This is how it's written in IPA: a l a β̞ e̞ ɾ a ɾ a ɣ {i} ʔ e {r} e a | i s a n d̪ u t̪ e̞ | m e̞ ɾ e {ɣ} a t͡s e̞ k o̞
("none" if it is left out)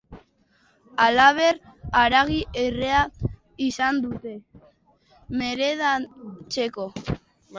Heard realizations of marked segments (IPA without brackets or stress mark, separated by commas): i, r, ð